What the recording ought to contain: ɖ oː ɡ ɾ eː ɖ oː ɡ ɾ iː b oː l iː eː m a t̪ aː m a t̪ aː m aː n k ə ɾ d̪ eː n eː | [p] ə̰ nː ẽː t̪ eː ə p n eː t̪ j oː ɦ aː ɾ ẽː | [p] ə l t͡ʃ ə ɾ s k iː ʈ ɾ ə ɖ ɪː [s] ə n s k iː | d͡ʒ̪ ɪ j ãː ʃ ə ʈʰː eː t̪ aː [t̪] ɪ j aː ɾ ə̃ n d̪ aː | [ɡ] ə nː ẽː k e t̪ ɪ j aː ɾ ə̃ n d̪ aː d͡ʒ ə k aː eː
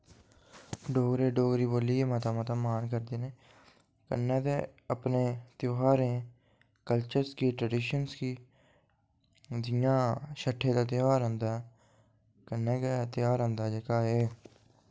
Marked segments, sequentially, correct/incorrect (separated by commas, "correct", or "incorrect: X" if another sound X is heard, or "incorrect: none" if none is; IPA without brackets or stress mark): incorrect: k, incorrect: k, incorrect: ʃ, correct, incorrect: k